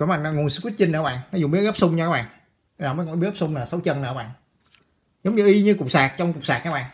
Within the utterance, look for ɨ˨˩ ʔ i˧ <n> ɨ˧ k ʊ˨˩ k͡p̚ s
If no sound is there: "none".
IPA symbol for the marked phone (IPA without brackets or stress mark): ɲ